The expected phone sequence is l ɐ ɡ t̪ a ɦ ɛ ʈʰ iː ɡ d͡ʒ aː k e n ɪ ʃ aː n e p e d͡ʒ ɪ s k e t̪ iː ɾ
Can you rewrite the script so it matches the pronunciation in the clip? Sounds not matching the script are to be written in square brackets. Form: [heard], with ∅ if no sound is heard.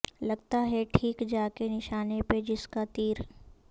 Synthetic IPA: l ɐ ɡ t̪ a ɦ ɛ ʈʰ iː [k] d͡ʒ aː k e n ɪ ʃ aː n e p e d͡ʒ ɪ s k [a] t̪ iː ɾ